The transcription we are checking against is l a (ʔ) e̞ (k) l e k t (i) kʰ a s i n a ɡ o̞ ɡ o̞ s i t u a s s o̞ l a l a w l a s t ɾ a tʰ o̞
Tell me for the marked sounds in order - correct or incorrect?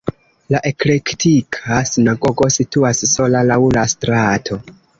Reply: correct, correct, correct

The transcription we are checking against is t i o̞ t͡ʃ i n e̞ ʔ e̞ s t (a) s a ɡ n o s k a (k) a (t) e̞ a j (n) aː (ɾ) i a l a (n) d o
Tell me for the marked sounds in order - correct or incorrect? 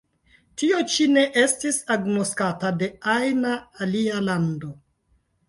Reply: incorrect: i, incorrect: t, incorrect: d, correct, incorrect: l, correct

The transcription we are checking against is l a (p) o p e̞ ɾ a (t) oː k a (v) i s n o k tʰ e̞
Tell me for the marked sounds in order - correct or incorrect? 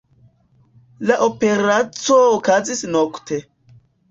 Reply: incorrect: ʔ, incorrect: t͡s, incorrect: z

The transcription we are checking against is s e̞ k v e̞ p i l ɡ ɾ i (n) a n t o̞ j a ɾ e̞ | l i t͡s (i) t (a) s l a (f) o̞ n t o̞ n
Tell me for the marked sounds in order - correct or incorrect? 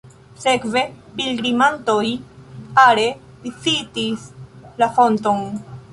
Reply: incorrect: m, correct, incorrect: i, correct

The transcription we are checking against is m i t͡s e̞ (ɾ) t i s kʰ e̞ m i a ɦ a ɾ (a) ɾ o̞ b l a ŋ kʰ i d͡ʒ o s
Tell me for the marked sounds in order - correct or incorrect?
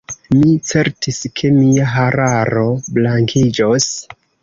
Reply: correct, correct

